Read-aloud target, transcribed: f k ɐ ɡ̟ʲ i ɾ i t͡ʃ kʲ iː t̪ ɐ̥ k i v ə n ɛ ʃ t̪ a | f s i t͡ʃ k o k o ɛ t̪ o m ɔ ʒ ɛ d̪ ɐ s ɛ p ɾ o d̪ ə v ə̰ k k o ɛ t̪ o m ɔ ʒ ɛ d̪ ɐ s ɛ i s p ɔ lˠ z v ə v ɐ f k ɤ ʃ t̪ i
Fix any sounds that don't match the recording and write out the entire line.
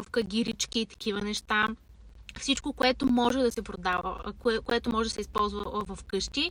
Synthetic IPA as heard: f k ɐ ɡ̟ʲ i ɾ i t͡ʃ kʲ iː t̪ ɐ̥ k i v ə n ɛ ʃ t̪ a | f s i t͡ʃ k o k o ɛ t̪ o m ɔ ʒ ɛ d̪ ɐ s ɛ p ɾ o d̪ a v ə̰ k k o ɛ t̪ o m ɔ ʒ ɛ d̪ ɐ s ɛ i s p ɔ lˠ z v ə v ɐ f k ɤ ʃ t̪ i